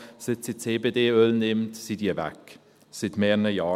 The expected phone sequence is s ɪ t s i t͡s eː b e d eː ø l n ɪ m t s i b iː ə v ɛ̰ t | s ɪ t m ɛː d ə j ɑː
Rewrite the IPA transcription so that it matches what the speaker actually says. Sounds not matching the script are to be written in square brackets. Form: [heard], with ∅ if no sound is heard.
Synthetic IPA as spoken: s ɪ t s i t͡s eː b e d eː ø l n ɪ m t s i [d] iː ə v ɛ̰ [k] | s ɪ t m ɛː [n] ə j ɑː